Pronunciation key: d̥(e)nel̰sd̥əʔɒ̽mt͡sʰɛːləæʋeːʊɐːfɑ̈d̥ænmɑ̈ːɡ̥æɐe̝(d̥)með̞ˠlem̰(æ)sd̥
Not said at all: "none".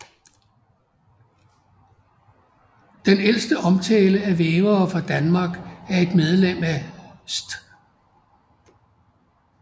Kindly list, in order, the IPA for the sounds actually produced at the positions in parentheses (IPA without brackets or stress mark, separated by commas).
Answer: e, d̥, æ